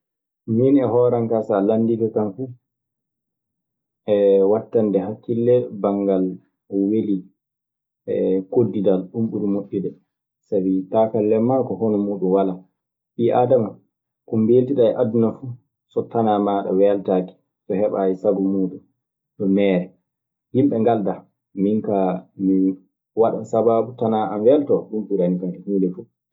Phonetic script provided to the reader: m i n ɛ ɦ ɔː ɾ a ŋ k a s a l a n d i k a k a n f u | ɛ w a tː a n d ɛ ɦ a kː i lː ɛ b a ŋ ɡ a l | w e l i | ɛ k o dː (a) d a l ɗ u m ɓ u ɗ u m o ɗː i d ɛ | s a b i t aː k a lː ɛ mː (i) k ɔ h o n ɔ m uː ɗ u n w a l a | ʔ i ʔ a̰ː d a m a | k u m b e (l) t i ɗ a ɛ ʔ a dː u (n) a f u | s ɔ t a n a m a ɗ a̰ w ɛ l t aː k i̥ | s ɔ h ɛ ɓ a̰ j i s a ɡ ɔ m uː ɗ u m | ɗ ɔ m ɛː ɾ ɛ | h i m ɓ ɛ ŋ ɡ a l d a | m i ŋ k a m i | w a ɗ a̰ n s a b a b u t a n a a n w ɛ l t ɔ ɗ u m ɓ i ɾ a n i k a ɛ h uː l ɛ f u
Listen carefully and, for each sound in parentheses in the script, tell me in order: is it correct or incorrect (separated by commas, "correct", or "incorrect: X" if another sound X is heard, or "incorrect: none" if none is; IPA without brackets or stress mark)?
incorrect: i, incorrect: a, correct, correct